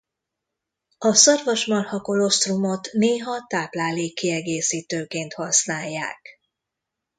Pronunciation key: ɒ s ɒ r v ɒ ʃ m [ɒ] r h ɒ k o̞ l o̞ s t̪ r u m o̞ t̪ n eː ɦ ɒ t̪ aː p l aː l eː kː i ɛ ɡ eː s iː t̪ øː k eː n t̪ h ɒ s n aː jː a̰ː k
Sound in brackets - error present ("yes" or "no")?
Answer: no